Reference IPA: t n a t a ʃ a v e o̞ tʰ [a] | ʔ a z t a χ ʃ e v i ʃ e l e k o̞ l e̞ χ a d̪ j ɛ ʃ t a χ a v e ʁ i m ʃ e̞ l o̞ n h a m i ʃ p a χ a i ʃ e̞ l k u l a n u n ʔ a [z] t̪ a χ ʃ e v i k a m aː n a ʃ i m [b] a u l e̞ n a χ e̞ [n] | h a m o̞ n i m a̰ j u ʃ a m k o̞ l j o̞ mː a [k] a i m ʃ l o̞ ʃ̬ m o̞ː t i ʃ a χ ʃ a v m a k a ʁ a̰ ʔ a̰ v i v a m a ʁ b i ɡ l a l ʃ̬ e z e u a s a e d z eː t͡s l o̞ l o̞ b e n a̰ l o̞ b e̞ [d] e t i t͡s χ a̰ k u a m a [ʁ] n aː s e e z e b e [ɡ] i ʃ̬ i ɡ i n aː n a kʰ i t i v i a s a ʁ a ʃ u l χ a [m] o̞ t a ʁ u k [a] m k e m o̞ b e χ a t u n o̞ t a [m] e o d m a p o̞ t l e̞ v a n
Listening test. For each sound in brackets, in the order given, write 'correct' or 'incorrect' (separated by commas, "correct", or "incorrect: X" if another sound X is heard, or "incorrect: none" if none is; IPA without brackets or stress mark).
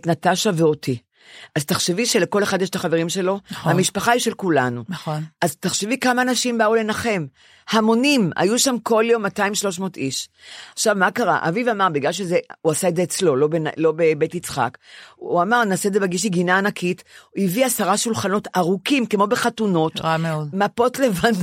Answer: incorrect: i, correct, correct, incorrect: m, incorrect: t, incorrect: b, correct, correct, incorrect: n, incorrect: i, correct